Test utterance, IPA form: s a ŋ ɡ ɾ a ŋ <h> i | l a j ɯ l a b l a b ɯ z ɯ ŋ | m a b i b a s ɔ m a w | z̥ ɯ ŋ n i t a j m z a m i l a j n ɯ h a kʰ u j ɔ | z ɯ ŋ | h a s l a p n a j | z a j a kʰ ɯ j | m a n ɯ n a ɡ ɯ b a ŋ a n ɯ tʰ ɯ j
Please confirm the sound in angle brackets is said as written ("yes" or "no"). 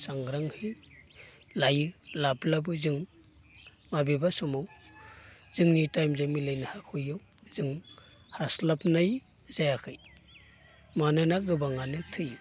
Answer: yes